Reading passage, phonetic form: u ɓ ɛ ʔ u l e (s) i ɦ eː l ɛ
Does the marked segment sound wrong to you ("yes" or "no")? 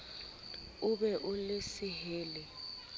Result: no